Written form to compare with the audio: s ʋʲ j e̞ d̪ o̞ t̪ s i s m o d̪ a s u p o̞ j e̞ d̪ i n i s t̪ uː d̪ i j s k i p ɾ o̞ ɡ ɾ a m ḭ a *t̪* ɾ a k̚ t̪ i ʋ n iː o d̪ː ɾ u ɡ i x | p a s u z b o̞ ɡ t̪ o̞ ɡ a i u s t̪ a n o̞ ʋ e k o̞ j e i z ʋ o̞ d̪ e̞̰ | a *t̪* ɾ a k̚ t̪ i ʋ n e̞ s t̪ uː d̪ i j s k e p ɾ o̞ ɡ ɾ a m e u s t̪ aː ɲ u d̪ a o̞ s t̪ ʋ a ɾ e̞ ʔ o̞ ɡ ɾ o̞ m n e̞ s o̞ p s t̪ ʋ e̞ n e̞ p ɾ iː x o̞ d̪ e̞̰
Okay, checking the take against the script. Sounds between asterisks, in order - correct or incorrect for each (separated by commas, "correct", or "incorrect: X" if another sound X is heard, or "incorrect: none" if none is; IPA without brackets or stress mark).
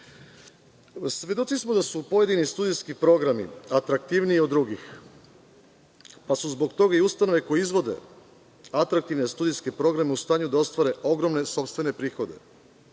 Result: correct, correct